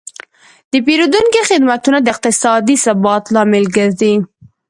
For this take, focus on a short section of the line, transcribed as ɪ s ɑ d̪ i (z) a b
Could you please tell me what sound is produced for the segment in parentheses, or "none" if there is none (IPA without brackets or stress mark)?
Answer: s